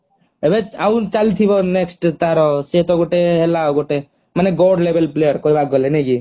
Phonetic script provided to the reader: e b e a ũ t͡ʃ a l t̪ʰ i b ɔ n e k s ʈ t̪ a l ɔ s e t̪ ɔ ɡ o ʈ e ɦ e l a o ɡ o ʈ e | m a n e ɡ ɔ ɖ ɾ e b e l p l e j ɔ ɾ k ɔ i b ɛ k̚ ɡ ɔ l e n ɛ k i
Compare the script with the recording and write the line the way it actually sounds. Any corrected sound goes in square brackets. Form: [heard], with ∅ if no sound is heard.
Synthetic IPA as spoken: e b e a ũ t͡ʃ a l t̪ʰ i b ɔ n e k s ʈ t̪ a [ɾ] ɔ s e t̪ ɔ ɡ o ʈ e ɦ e l a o ɡ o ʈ e | m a n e ɡ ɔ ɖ [l] e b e l p l e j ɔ ɾ k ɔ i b [a] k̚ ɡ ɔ l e n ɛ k i